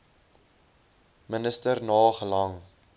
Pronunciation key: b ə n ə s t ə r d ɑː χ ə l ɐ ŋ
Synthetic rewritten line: m ə n ə s t ə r n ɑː χ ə l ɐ ŋ